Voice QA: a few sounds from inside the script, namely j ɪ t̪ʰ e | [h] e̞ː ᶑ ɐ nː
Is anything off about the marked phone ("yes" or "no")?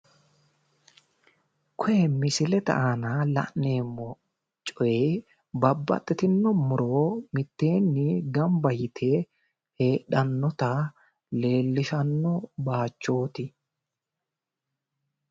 no